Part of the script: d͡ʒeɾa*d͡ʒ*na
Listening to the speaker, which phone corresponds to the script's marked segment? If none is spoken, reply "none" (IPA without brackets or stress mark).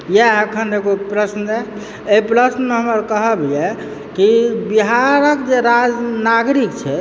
d͡ʒ